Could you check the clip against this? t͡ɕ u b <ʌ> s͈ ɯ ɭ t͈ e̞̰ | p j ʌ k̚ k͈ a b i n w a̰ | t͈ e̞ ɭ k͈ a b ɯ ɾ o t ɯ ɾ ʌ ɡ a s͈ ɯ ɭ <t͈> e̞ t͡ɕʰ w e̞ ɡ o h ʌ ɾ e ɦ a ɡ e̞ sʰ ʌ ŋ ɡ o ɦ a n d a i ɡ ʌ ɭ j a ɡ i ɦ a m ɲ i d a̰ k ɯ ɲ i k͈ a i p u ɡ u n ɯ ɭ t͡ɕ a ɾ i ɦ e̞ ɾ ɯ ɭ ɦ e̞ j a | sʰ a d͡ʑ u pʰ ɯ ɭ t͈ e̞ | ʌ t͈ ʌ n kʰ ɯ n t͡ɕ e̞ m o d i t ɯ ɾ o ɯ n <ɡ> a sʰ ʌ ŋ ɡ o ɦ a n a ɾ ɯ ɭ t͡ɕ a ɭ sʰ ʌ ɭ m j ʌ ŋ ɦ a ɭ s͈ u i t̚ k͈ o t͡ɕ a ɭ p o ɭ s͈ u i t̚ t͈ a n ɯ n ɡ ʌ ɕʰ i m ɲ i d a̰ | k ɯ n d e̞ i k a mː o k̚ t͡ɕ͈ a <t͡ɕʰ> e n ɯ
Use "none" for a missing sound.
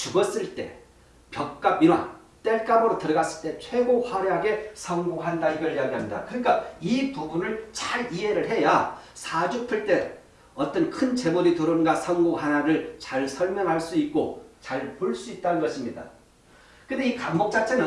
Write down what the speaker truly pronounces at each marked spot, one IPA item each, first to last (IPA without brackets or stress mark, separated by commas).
ʌ, t͈, ɡ, t͡ɕʰ